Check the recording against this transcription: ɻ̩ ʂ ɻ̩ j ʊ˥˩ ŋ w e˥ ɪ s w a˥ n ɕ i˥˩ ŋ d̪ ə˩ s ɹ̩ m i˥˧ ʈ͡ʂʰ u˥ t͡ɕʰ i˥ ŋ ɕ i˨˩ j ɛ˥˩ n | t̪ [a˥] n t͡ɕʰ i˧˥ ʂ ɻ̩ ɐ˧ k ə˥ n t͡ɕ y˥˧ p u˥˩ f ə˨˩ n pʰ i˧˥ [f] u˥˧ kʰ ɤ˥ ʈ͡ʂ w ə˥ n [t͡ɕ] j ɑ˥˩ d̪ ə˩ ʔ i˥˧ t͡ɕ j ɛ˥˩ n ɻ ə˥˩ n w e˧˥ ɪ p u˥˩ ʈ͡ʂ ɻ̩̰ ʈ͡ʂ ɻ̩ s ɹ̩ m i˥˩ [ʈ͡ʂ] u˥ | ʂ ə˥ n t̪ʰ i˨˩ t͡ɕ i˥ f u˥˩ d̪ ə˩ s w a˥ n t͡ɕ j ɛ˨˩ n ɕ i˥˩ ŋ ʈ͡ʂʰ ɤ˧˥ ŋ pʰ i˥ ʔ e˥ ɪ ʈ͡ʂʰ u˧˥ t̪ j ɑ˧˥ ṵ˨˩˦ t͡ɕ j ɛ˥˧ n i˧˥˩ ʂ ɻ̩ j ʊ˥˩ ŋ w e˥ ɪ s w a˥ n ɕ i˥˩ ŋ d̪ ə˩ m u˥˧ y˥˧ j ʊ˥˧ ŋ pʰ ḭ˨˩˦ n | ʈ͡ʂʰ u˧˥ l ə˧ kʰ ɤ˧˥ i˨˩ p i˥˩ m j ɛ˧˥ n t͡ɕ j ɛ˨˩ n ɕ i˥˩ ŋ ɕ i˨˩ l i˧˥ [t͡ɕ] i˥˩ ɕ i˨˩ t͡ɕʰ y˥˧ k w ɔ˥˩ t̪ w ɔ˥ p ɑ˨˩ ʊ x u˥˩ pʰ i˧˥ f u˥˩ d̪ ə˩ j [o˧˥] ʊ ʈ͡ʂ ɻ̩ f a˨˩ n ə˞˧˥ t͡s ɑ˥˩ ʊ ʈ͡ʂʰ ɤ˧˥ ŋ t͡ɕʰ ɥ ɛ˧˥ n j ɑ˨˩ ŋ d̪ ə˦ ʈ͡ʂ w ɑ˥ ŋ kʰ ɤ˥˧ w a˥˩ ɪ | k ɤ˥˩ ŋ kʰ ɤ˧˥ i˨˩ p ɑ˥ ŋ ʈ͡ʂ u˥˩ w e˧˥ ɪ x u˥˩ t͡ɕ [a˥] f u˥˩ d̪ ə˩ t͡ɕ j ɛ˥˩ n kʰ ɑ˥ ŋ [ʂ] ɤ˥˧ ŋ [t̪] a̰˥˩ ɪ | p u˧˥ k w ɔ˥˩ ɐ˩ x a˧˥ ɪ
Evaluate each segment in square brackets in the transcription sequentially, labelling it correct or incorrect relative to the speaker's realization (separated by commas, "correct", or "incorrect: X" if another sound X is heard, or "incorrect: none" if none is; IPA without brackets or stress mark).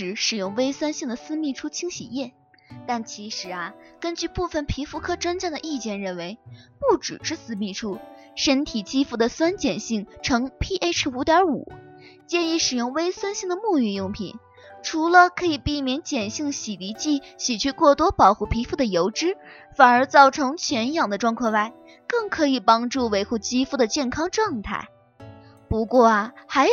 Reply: incorrect: a˥˩, correct, correct, incorrect: ʈ͡ʂʰ, correct, correct, incorrect: i˥, incorrect: ʈ͡ʂ, incorrect: t̪ʰ